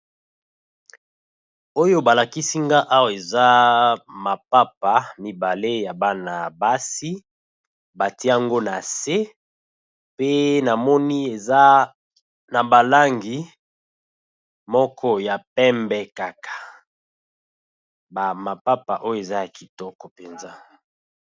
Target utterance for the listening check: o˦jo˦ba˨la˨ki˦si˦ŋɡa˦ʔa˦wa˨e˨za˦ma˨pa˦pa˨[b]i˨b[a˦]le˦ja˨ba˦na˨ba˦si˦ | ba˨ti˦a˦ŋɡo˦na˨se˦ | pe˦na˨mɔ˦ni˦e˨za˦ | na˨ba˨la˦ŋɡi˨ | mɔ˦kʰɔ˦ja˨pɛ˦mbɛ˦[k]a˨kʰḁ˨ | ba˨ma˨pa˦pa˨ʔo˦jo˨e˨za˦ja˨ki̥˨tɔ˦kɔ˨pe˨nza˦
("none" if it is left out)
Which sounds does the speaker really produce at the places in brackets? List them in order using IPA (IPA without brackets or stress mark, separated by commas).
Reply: m, a˨, k